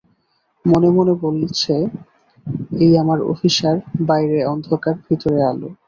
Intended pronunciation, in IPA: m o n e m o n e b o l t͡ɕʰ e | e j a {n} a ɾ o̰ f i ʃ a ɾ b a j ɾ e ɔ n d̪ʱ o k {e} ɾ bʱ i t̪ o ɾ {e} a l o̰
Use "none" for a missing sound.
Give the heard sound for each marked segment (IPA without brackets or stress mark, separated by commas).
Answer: m, a, e